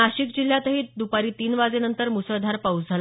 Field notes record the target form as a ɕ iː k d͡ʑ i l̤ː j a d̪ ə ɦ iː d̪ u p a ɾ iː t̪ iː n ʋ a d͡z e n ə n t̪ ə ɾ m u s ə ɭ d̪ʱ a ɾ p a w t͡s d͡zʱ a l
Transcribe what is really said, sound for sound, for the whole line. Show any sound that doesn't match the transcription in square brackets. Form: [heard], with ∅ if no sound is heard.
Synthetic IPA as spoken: a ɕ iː k d͡ʑ i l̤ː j a [t̪] ə ɦ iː d̪ u p a ɾ iː t̪ iː n ʋ a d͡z e n ə n t̪ ə ɾ m u s ə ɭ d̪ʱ a ɾ p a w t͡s d͡zʱ a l